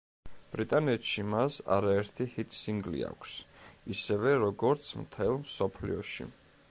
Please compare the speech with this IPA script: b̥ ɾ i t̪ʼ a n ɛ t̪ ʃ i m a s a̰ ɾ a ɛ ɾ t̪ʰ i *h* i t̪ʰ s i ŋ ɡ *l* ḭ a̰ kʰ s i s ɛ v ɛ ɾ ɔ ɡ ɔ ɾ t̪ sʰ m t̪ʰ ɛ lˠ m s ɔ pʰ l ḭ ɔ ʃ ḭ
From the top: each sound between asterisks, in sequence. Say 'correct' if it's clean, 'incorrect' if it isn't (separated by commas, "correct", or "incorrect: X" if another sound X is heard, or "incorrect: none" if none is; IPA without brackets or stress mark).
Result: correct, correct